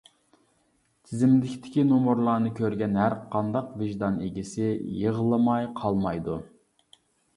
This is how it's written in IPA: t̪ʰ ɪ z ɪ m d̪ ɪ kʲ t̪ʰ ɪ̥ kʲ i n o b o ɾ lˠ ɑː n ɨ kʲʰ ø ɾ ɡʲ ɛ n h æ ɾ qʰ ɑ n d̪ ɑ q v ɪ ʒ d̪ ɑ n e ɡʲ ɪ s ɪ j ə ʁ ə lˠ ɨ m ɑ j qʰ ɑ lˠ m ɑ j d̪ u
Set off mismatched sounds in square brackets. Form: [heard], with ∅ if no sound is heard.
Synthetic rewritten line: t̪ʰ ɪ z ɪ m d̪ ɪ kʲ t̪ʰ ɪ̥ kʲ i n o [m] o ɾ lˠ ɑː n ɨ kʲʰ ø ɾ ɡʲ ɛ n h æ ɾ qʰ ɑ n d̪ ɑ q v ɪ ʒ d̪ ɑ n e ɡʲ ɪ s ɪ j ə ʁ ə lˠ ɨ m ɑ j qʰ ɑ lˠ m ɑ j d̪ u